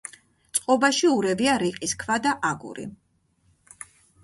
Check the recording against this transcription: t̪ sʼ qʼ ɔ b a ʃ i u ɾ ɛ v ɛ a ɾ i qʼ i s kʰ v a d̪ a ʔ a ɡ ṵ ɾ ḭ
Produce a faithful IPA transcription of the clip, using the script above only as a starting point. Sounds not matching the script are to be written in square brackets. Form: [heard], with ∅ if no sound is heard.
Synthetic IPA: t̪ sʼ qʼ ɔ b a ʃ i u ɾ ɛ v [i] a ɾ i qʼ i s kʰ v a d̪ a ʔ a ɡ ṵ ɾ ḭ